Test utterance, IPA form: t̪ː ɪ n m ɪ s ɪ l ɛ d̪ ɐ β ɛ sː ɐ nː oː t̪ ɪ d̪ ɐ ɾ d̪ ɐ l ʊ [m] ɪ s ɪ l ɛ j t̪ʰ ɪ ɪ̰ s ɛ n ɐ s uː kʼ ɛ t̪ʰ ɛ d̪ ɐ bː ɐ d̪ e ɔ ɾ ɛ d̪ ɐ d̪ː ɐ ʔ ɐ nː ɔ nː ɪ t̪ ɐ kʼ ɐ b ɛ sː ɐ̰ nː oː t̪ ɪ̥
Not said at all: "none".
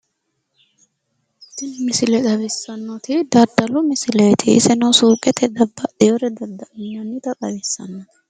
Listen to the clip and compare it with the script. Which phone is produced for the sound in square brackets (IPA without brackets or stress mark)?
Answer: m